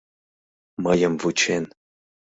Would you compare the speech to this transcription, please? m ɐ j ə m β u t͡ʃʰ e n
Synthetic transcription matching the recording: m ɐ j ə m v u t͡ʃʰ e n